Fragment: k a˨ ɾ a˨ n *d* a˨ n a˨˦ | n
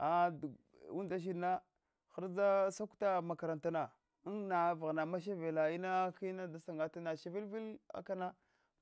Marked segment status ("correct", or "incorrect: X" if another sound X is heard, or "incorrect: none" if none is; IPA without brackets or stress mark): incorrect: t